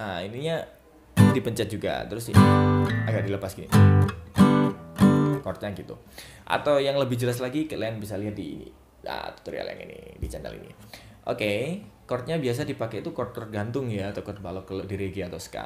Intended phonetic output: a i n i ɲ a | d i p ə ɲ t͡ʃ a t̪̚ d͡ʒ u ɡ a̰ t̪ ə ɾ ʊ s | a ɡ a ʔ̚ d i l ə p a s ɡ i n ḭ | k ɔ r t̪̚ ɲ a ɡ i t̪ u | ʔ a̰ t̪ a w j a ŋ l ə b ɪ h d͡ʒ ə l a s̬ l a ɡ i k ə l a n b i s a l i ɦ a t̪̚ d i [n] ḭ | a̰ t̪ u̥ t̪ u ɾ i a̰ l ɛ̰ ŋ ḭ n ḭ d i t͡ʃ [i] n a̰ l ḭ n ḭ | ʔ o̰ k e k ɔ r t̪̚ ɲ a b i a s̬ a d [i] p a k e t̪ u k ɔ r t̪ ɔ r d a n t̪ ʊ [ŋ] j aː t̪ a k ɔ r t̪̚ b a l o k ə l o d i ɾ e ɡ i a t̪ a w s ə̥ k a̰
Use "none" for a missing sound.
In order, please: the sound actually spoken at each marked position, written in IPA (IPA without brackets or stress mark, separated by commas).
n, a, i, ŋ